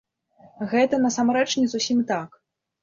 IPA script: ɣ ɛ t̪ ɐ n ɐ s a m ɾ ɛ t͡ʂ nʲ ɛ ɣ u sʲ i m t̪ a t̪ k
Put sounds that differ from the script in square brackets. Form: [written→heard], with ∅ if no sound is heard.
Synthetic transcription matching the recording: ɣ ɛ t̪ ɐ n ɐ s a m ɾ ɛ t͡ʂ nʲ ɛ [ɣ→z] u sʲ i m t̪ a [t̪→∅] k